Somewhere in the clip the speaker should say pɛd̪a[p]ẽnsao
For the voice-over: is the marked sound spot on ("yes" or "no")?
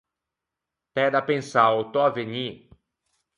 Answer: yes